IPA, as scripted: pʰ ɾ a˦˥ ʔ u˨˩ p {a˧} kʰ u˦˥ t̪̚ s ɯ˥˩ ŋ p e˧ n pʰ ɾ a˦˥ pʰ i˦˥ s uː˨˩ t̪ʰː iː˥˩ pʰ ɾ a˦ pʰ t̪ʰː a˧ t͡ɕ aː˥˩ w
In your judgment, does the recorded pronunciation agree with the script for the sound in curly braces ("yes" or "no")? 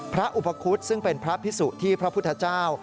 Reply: yes